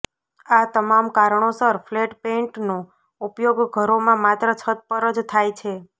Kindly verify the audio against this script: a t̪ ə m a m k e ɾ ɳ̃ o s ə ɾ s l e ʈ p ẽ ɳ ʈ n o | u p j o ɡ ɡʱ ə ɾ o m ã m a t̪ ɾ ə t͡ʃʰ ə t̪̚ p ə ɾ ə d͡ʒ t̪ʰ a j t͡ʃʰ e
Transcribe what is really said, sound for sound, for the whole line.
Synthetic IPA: a t̪ ə m a m k a ɾ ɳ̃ o s ə ɾ f l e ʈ p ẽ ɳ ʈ n o | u p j o ɡ ɡʱ ə ɾ o m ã m a t̪ ɾ ə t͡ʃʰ ə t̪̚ p ə ɾ ə d͡ʒ t̪ʰ a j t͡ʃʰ e